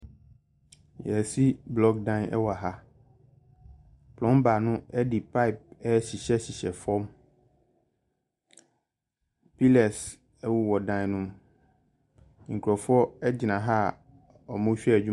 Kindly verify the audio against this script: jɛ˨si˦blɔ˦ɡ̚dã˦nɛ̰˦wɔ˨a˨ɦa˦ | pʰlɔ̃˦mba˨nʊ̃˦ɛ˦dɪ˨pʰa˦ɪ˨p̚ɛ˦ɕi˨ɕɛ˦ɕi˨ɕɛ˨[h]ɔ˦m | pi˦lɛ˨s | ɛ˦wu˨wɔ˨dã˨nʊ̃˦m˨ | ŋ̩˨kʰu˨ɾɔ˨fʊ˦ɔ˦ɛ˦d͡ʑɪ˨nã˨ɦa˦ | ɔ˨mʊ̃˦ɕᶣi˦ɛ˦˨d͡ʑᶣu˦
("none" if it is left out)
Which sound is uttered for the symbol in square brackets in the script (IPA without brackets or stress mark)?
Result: f